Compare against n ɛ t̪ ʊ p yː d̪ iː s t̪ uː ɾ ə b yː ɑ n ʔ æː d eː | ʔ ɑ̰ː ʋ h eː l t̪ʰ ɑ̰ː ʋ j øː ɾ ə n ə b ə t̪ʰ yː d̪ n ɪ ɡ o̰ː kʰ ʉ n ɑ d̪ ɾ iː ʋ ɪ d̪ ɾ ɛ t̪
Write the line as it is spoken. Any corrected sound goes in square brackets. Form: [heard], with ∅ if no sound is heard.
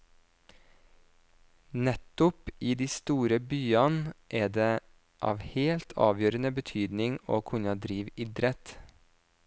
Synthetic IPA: n ɛ t̪ ʊ p [iː] d̪ iː s t̪ uː ɾ ə b yː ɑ n ʔ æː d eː | ʔ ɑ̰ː ʋ h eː l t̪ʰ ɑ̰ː ʋ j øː ɾ ə n ə b ə t̪ʰ yː d̪ n ɪ [ŋ] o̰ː kʰ ʉ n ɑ d̪ ɾ iː ʋ ɪ d̪ ɾ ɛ t̪